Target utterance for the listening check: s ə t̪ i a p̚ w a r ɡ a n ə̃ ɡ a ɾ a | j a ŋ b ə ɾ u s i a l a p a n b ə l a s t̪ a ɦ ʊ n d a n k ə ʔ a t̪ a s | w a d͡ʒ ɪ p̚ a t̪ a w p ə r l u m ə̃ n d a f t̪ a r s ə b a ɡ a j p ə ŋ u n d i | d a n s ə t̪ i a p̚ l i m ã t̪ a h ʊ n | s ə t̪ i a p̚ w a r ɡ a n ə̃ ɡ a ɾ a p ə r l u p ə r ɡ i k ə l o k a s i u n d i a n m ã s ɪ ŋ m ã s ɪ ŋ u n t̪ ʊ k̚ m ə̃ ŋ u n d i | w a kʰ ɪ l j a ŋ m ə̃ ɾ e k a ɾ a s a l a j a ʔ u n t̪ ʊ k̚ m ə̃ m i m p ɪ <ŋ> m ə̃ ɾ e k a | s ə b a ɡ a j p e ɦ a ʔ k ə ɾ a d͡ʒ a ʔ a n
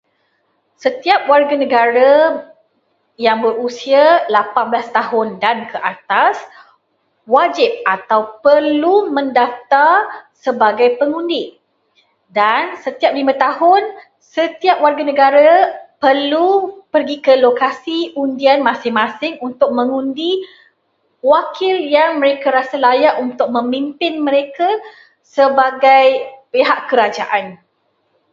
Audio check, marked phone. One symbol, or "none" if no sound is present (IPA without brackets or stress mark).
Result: n